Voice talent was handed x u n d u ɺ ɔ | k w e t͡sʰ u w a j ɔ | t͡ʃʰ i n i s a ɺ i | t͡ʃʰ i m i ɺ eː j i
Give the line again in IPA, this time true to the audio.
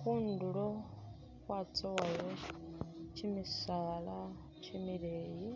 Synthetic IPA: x u n d u ɺ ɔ | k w a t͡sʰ ɔ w a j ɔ | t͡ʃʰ i m i s a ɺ a | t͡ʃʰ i m i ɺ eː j i